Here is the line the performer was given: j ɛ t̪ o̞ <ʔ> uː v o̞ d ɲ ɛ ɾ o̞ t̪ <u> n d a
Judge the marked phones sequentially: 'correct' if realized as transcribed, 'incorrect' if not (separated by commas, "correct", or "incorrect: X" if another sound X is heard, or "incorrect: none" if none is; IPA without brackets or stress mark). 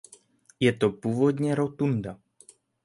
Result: incorrect: p, correct